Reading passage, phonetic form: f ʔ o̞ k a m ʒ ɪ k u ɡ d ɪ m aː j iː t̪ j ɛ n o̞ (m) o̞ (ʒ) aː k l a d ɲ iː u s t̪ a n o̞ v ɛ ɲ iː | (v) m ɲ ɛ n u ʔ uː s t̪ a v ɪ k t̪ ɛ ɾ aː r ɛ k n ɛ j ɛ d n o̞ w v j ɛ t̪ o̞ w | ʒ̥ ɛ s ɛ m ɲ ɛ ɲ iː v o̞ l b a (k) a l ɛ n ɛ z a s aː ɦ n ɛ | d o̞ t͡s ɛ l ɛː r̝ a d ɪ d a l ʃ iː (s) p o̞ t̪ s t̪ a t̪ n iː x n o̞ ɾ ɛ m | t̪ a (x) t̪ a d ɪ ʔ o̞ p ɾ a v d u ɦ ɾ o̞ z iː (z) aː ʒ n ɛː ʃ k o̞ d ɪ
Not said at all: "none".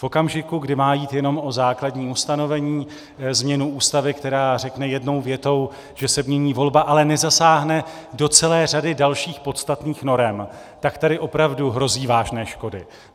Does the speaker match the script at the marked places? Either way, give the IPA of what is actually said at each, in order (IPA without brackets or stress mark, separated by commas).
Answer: m, z, z, ʔ, x, k, v